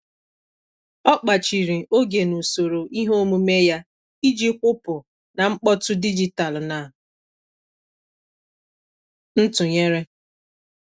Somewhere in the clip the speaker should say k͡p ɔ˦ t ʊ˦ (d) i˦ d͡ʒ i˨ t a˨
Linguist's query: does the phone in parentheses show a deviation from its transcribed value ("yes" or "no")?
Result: no